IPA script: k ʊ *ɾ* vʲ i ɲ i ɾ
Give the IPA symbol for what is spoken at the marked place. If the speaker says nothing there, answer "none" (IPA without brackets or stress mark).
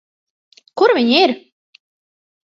ɾ